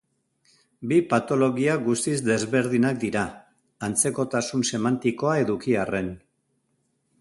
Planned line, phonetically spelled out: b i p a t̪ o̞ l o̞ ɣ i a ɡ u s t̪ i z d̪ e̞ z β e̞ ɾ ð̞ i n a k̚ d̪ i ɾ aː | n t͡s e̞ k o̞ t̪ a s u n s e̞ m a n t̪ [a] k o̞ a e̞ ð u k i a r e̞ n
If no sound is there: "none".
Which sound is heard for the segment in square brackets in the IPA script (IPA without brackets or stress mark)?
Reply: i